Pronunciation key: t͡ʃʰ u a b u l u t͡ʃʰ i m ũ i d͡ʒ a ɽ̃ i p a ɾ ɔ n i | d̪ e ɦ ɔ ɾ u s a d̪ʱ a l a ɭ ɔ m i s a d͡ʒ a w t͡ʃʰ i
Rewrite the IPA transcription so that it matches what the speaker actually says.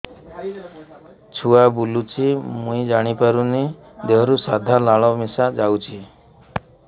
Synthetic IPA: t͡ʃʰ u a b u l u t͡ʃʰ i m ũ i d͡ʒ a ɽ̃ i p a ɾ u n i | d̪ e ɦ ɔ ɾ u s a d̪ʱ a l a ɭ ɔ m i s a d͡ʒ a w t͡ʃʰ i